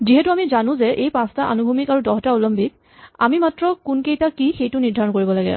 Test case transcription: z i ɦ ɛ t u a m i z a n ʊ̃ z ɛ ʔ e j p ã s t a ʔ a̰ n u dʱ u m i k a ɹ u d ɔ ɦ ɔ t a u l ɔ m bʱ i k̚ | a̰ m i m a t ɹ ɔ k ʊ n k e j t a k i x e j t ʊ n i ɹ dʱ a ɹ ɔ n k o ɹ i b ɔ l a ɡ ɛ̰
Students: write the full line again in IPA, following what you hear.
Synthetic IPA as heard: z i ɦ ɛ t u a m i z a n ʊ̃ z ɛ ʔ e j p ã s t a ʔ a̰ n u bʱ u m i k a ɹ u d ɔ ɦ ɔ t a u l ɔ m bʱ i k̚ | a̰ m i m a t ɹ ɔ k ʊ n k e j t a k i x e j t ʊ n i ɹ dʱ a ɹ ɔ n k o ɹ i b ɔ l a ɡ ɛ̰

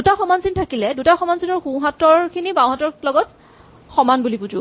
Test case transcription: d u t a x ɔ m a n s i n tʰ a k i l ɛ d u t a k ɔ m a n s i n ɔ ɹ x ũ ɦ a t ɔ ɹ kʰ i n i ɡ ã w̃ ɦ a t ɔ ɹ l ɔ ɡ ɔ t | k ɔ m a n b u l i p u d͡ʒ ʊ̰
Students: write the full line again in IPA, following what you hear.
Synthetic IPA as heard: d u t a x ɔ m a n s i n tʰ a k i l ɛ d u t a x ɔ m a n s i n ɔ ɹ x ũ ɦ a t ɔ ɹ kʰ i n i b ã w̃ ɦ a t ɔ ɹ l ɔ ɡ ɔ t | x ɔ m a n b u l i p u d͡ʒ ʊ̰

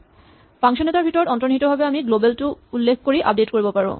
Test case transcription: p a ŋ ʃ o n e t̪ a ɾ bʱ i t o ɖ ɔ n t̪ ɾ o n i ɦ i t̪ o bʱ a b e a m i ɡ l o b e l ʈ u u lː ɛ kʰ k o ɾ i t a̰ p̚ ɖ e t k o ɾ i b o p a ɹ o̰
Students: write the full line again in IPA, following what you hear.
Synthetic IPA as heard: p a ŋ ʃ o n e t̪ a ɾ bʱ i t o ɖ ɔ n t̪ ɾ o n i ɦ i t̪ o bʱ a b e a m i ɡ l o b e l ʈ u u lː e kʰ k o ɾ i ʔ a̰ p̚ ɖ e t k o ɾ i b o p a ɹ o̰

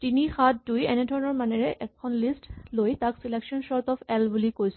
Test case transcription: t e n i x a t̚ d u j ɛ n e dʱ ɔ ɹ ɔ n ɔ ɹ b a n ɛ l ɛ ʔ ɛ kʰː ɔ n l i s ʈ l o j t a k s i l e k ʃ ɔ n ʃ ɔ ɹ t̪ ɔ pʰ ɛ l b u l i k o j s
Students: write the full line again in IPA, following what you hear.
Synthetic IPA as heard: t i n i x a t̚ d u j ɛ n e dʱ ɔ ɹ ɔ n ɔ ɹ m a n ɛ ɹ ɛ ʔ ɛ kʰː ɔ n l i s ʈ l o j t a k s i l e k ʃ ɔ n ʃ ɔ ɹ t̪ ɔ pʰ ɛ l b u l i k o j s

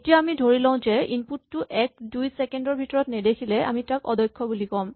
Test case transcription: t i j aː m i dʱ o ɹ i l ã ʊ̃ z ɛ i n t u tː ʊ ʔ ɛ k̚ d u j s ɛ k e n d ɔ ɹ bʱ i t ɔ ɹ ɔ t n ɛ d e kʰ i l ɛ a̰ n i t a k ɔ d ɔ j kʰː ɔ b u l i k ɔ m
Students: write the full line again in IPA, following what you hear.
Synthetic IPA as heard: t i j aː m i dʱ o ɹ i l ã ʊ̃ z ɛ i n p u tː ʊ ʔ ɛ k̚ d u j s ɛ k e n d ɔ ɹ bʱ i t ɔ ɹ ɔ t n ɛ d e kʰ i l ɛ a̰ m i t a k ɔ d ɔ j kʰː ɔ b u l i k ɔ m

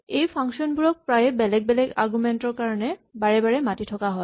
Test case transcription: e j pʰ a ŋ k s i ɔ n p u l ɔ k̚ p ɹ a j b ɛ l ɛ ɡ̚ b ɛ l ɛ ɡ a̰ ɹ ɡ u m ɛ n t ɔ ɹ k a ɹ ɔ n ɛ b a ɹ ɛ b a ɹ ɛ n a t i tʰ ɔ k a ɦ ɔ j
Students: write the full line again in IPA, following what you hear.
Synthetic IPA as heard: e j pʰ a ŋ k s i ɔ n b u ɹ ɔ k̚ p ɹ a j b ɛ l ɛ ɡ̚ b ɛ l ɛ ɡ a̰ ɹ ɡ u m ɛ n t ɔ ɹ k a ɹ ɔ n ɛ b a ɹ ɛ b a ɹ ɛ m a t i tʰ ɔ k a ɦ ɔ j

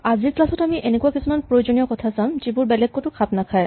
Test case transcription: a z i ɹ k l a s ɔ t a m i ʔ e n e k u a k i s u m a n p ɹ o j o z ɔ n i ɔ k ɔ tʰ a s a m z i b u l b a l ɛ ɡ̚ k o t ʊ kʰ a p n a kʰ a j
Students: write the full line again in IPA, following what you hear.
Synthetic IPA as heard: a z i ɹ k l a s ɔ t a m i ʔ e n e k u a k i s u m a n p ɹ o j o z o n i ɔ k ɔ tʰ a s a m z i b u ɹ b ɛ l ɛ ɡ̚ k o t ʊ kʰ a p n a kʰ a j

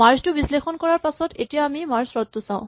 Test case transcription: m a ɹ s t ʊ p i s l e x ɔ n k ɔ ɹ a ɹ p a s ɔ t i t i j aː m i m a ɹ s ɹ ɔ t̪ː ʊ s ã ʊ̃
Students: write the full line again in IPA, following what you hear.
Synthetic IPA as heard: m a ɹ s t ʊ b i s l e x ɔ n k ɔ ɹ a ɹ p a s ɔ t e t i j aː m i m a ɹ s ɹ ɔ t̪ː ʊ s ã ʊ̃

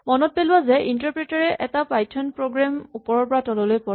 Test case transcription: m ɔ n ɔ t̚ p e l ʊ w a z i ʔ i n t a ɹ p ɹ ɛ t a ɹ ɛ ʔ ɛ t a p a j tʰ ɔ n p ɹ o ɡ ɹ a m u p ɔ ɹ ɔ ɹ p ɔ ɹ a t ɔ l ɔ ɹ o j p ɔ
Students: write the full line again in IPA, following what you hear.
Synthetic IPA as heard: m ɔ n ɔ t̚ p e l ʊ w a z ɛ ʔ i n t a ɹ p ɹ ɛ t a ɹ ɛ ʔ ɛ t a p a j tʰ ɔ n p ɹ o ɡ ɹ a m u p ɔ ɹ ɔ ɹ p ɔ ɹ a t ɔ l ɔ l o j p ɔ

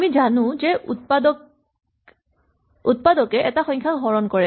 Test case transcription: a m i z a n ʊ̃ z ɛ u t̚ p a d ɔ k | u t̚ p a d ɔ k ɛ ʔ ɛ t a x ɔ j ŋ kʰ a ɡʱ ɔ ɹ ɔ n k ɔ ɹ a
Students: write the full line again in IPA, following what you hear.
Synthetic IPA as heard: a m i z a n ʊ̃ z ɛ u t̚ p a d ɔ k | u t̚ p a d ɔ k ɛ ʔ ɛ t a x ɔ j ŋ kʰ a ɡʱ ɔ ɹ ɔ n k ɔ ɹ ɛ

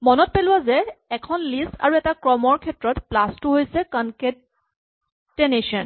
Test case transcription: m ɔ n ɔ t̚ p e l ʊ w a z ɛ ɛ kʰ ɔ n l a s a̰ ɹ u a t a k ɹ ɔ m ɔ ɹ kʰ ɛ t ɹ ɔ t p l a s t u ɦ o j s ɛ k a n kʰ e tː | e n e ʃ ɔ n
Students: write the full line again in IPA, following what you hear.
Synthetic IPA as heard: m ɔ n ɔ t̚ p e l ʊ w a z ɛ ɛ kʰ ɔ n l i s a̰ ɹ u ɛ t a k ɹ ɔ m ɔ ɹ kʰ ɛ t ɹ ɔ t p l a s t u ɦ o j s ɛ k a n k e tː | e n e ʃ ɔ n

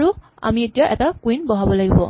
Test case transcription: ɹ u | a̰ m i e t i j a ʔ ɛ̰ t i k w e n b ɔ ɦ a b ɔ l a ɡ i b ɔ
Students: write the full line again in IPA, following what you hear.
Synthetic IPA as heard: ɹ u | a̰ m i e t i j a ʔ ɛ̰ t a k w i n b ɔ ɦ a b ɔ l a ɡ i b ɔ

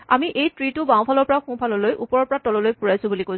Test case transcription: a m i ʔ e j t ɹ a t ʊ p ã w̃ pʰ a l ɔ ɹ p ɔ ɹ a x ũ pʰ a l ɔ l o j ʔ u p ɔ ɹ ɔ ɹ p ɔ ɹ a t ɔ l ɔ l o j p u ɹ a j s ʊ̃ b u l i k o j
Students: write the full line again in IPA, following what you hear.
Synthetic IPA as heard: a m i ʔ e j t ɹ i t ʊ b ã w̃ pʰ a l ɔ ɹ p ɔ ɹ a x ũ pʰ a l ɔ l o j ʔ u p ɔ ɹ ɔ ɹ p ɔ ɹ a t ɔ l ɔ l o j p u ɹ a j s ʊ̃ b u l i k o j

